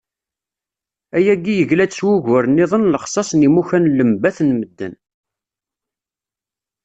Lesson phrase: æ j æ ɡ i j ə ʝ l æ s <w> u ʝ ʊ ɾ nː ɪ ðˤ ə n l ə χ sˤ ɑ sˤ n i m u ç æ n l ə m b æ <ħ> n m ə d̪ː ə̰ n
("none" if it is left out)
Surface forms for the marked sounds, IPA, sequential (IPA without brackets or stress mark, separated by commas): w, θ